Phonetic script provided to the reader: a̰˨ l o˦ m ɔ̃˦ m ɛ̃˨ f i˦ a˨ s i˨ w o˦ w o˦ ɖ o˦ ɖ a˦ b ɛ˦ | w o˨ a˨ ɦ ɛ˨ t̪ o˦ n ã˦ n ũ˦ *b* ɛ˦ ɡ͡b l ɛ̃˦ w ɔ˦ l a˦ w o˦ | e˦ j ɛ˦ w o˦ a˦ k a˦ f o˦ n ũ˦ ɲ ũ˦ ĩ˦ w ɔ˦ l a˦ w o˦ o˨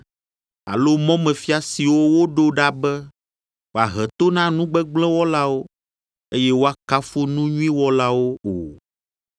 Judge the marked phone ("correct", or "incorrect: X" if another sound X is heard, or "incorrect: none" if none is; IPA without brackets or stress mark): incorrect: ɡ͡b